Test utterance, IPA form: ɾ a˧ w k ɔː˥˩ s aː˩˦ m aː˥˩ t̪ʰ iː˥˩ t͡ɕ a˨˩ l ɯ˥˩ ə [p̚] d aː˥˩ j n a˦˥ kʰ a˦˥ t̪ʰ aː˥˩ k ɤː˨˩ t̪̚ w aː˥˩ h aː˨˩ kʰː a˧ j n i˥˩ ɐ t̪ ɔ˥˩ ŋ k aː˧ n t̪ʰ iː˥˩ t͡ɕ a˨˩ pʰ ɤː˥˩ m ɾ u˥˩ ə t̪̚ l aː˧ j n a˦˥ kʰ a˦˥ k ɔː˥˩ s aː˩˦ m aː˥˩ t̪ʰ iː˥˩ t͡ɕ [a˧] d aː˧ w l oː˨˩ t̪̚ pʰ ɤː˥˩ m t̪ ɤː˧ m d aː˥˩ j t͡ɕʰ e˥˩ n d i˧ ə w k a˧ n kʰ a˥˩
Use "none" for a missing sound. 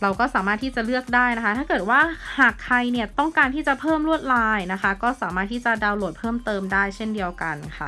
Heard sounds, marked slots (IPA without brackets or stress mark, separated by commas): k̚, a˨˩